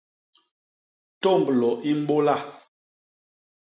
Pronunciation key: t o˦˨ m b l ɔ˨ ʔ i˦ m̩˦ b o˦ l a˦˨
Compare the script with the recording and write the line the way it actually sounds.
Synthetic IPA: t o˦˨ m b l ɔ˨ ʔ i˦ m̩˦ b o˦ l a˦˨